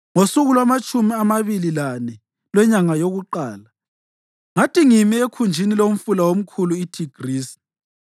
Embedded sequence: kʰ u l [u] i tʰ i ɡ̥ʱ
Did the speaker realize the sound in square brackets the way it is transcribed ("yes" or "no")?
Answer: yes